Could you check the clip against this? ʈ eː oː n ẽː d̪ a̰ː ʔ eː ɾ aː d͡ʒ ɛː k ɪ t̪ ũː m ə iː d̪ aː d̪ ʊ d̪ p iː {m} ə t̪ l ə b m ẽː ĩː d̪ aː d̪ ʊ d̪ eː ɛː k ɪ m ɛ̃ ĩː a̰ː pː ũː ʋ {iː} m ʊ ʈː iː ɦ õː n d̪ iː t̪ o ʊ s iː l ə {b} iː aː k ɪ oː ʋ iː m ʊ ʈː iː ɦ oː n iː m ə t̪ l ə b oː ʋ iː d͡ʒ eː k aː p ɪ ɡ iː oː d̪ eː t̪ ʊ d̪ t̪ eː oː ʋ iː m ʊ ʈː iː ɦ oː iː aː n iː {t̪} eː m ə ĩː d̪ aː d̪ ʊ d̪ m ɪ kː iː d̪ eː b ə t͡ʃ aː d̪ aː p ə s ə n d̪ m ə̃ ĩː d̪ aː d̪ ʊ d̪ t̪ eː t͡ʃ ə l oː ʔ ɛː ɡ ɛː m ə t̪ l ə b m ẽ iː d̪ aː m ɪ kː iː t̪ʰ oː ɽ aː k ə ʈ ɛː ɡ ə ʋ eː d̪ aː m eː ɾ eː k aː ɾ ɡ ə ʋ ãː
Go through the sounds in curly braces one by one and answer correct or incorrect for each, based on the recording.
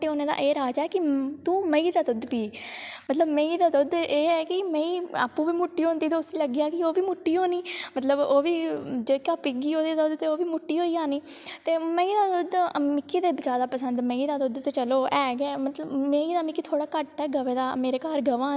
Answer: correct, correct, incorrect, correct

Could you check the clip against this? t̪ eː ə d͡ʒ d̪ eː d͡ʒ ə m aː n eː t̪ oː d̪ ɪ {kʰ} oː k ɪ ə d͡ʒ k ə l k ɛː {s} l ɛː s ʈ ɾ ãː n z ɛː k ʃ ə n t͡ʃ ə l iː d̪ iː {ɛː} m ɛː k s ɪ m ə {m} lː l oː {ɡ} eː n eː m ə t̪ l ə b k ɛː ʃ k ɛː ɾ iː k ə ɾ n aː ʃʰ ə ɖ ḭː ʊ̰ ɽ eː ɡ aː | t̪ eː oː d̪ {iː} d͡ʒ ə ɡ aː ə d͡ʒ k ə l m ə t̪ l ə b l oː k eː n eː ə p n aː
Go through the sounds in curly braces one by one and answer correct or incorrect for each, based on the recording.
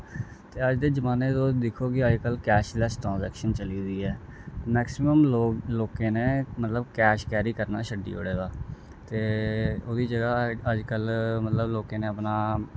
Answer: correct, incorrect, correct, correct, incorrect, correct

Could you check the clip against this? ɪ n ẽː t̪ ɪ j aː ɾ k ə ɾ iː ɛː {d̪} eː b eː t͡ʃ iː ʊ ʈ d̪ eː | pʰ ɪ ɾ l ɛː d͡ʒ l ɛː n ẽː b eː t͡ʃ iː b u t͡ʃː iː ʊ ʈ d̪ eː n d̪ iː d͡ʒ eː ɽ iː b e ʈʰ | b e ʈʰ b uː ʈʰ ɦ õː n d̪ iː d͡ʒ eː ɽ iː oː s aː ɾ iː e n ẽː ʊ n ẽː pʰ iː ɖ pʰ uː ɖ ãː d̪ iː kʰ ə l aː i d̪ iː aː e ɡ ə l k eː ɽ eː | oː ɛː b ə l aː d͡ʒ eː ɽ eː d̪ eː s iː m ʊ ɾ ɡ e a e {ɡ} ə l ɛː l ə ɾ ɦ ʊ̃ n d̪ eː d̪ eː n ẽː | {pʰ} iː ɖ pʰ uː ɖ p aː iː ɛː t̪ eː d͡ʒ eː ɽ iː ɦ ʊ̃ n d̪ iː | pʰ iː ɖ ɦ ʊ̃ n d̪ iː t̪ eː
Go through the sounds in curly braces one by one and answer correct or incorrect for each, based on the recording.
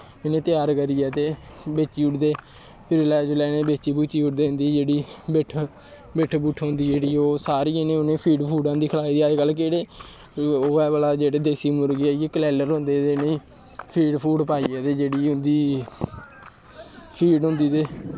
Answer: incorrect, incorrect, correct

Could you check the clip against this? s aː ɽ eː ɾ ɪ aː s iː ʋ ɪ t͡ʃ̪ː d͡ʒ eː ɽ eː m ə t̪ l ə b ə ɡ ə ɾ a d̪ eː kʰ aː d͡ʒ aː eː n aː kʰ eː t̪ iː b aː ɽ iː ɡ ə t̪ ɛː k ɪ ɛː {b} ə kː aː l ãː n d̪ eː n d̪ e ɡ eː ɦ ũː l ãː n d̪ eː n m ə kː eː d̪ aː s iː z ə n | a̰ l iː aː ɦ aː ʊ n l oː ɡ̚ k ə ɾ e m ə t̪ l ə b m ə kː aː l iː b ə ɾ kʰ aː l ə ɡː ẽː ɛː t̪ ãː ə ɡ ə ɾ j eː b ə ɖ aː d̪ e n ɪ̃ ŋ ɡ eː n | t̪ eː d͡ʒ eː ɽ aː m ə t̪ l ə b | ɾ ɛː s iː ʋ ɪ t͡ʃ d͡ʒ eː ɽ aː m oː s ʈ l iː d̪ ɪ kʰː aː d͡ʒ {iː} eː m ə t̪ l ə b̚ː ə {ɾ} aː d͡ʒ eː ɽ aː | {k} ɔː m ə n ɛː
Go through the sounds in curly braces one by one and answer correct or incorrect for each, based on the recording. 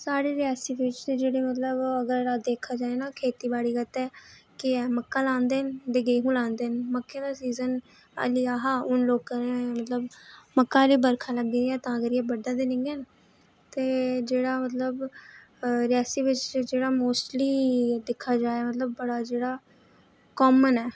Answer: incorrect, incorrect, incorrect, correct

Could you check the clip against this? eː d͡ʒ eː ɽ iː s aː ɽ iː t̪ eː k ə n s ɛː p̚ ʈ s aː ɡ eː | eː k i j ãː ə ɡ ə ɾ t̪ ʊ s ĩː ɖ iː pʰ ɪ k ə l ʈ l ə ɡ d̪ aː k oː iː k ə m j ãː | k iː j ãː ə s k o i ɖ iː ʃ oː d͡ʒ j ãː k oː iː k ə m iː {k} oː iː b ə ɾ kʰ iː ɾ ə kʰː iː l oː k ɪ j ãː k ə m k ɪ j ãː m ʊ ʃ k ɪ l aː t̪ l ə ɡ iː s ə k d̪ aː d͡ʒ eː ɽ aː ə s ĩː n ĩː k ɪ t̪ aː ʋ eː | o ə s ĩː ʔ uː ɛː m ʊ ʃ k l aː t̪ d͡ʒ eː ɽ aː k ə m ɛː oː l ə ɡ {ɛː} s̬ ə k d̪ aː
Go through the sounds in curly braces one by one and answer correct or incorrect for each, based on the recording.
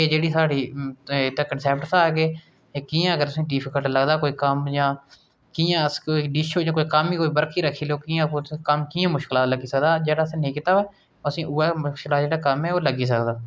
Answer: correct, incorrect

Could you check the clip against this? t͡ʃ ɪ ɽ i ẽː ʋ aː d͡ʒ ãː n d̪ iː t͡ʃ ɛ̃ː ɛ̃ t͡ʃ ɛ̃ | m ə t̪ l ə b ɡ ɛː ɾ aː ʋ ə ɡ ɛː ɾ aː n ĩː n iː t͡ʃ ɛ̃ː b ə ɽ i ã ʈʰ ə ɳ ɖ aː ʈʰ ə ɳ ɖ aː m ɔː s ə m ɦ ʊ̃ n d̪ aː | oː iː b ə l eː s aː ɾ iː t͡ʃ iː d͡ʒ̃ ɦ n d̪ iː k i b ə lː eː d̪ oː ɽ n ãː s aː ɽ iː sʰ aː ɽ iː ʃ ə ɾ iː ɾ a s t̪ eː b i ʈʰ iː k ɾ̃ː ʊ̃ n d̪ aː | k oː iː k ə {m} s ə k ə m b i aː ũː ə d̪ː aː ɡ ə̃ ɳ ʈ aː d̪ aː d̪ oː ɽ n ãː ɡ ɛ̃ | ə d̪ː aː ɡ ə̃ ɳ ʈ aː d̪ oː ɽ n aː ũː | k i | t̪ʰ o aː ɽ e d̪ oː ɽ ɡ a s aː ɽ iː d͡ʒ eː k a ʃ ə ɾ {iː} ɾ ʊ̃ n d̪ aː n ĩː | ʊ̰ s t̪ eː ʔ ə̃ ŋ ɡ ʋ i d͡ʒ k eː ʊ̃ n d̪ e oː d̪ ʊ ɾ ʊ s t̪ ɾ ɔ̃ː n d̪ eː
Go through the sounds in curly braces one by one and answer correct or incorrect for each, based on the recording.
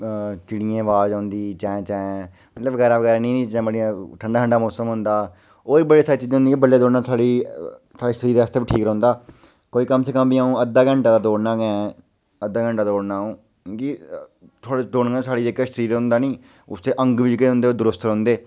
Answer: correct, correct

